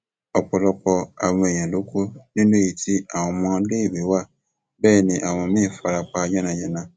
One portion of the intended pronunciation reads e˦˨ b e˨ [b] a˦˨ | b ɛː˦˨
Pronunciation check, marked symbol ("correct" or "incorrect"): incorrect